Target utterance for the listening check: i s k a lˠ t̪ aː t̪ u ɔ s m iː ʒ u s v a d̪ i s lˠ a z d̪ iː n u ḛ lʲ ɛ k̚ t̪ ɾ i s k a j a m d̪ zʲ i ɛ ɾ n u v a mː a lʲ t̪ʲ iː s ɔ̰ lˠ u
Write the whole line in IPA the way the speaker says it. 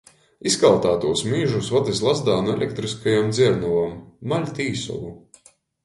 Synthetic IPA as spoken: i s k a lˠ t̪ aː t̪ u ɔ s m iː ʒ u s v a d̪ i s lˠ a z d̪ aː n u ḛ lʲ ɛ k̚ t̪ ɾ i s k a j a m d̪ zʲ i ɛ ɾ n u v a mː a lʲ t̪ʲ iː s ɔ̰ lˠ u